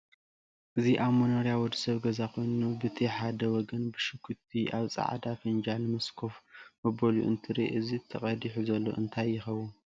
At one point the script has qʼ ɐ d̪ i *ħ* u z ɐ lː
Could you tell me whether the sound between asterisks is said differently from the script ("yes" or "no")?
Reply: no